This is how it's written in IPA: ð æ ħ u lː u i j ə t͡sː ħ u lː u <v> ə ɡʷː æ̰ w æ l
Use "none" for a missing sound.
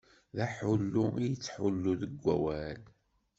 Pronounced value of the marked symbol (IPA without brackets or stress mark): ð